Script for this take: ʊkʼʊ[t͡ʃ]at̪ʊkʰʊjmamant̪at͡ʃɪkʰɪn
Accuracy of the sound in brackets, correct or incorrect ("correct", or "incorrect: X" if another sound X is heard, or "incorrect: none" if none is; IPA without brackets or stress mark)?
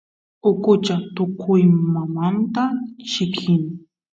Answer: correct